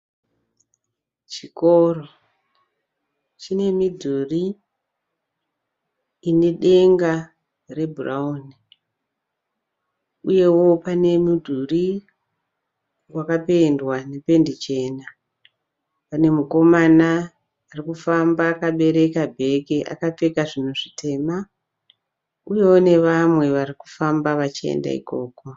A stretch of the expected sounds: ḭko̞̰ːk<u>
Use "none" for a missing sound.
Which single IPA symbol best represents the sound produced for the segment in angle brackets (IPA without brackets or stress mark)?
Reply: o